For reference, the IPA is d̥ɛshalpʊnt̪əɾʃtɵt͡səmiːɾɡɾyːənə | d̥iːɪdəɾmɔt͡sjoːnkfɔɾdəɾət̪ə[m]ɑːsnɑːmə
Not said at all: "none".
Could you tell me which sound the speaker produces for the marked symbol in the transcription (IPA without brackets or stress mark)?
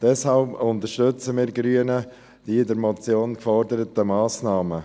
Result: m